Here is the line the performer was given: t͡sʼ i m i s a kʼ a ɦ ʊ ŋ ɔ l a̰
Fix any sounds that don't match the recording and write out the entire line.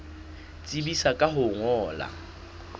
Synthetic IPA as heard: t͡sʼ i b i s a kʼ a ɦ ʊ ŋ ɔː l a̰